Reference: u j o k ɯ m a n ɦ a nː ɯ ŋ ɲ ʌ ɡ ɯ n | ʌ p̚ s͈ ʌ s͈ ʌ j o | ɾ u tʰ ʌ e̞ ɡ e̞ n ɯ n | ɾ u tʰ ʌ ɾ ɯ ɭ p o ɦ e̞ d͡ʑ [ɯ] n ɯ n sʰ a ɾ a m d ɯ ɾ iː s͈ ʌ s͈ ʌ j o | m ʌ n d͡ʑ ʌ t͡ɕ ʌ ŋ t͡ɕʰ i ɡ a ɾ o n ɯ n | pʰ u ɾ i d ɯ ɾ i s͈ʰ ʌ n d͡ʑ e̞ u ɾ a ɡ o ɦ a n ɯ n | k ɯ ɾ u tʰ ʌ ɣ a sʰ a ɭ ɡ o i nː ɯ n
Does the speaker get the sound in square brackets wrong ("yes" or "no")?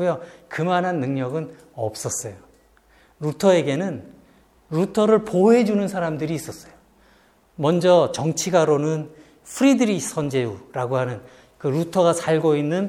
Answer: yes